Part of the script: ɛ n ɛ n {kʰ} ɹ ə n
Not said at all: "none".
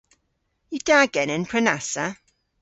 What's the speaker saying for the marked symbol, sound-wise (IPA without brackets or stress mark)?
pʰ